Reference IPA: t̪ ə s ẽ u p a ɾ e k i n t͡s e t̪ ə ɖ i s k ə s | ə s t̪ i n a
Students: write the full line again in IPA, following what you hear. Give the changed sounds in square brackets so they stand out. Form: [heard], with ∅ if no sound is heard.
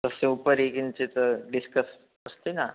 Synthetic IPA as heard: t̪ ə s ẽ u p [ə] ɾ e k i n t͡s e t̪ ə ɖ i s k ə s | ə s t̪ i n a